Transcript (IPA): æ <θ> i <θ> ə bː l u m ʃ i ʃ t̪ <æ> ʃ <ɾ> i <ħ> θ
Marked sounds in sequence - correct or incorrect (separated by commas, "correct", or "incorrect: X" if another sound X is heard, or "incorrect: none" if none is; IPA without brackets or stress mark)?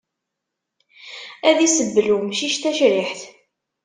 incorrect: ð, incorrect: s, correct, correct, correct